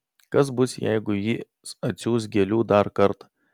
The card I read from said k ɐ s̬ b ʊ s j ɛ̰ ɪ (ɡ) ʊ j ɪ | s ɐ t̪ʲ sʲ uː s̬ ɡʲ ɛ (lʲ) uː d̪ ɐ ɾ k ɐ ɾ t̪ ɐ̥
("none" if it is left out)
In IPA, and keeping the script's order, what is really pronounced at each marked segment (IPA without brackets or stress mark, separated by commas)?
ɡ, lʲ